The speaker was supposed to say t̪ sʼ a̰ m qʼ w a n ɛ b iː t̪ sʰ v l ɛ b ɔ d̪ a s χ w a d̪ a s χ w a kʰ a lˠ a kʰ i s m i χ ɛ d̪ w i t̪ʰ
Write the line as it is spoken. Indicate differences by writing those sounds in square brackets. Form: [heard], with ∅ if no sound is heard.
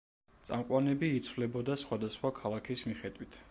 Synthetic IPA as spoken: t̪ sʼ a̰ m qʼ w a n ɛ b iː t̪ sʰ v l ɛ b ɔ d̪ a s χ w a d̪ a s χ w a kʰ a lˠ a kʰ i s m i χ ɛ d̪ w i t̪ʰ